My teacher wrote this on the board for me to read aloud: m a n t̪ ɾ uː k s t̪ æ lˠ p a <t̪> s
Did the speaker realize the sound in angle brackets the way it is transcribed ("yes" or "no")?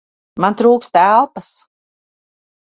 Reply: no